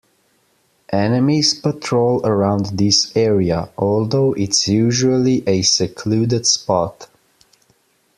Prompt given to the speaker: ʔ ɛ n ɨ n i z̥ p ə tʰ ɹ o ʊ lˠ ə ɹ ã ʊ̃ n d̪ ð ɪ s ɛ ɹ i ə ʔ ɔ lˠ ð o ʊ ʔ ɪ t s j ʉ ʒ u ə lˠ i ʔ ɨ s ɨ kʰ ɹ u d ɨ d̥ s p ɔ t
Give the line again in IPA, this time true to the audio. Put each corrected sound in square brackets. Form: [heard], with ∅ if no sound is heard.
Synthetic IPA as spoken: ʔ ɛ n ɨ [m] i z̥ p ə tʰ ɹ o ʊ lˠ ə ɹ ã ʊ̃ n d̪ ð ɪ s ɛ ɹ i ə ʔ ɔ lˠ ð o ʊ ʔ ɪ t s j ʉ ʒ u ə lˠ i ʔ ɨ s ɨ kʰ [l] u d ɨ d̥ s p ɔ t